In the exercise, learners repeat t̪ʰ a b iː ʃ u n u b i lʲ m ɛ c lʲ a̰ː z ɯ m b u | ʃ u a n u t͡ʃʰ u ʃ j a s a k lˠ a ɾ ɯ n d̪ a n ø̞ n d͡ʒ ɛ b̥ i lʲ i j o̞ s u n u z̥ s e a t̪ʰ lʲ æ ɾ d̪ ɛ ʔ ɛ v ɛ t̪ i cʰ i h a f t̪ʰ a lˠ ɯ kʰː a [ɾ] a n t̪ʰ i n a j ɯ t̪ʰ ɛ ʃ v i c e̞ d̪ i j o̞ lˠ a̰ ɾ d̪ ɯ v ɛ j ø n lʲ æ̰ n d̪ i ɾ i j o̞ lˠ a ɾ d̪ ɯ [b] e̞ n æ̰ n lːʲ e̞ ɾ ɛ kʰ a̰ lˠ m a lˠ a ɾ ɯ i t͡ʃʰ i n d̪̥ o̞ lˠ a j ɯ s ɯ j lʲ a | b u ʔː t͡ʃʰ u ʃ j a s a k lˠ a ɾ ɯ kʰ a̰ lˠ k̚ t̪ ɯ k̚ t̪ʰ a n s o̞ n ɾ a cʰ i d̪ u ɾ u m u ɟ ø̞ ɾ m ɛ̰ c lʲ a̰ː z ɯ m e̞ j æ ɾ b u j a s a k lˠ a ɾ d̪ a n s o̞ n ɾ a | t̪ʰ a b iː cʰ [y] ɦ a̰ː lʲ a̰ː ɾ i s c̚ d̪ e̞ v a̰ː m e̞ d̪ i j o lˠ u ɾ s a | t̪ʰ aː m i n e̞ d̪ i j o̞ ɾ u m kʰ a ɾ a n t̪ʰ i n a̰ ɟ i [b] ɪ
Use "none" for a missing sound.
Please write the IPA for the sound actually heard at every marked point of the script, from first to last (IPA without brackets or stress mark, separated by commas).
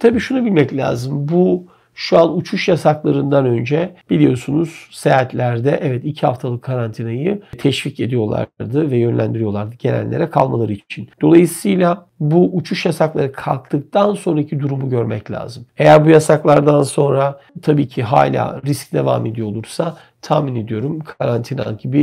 ɾ, ɟ, i, b